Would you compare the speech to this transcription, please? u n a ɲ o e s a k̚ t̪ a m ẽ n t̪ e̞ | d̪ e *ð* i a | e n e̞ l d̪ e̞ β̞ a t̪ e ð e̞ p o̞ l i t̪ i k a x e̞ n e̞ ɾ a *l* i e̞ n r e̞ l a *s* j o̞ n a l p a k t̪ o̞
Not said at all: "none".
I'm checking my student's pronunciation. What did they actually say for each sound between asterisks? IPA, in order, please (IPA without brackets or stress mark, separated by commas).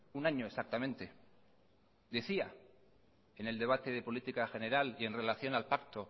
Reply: θ, l, θ